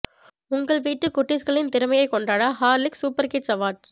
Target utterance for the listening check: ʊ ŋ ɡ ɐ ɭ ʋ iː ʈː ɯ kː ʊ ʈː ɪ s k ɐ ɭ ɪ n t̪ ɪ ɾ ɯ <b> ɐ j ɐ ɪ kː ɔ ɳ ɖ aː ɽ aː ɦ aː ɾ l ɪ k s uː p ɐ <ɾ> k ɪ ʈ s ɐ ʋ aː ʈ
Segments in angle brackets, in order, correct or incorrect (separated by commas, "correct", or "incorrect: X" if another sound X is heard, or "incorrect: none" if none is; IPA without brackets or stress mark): incorrect: m, correct